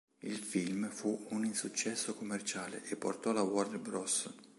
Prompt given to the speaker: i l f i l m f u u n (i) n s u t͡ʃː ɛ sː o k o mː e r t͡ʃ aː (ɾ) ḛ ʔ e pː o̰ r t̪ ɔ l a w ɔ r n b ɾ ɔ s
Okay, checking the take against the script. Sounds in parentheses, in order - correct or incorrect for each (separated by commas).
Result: correct, incorrect